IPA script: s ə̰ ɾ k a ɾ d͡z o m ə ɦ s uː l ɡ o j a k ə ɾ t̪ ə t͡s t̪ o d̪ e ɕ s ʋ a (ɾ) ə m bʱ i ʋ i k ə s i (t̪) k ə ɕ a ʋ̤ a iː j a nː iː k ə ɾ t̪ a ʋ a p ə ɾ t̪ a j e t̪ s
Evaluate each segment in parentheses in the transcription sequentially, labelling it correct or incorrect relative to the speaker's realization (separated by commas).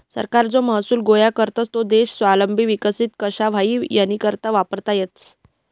incorrect, correct